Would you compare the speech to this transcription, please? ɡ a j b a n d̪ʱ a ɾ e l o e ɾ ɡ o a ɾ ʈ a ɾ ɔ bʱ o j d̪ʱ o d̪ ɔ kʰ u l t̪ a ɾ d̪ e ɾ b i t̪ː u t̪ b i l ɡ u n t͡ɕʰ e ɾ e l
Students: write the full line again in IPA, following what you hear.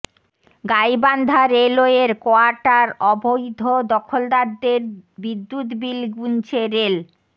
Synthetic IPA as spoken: ɡ a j b a n d̪ʱ a ɾ e l o e ɾ k o a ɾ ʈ a ɾ ɔ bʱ o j d̪ʱ o d̪ ɔ kʰ o l d̪ a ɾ d̪ e ɾ b i d̪ː u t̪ b i l ɡ u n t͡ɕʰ e ɾ e l